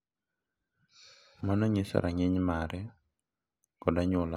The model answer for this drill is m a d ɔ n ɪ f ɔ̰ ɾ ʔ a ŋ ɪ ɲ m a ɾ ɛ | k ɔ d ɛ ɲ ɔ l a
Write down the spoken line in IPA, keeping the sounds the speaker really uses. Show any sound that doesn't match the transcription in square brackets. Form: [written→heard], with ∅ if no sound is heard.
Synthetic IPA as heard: m a [d→n] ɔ [n→ɲ] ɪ [f→s] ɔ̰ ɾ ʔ a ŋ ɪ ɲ m a ɾ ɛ | k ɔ d [ɛ→a] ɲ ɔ l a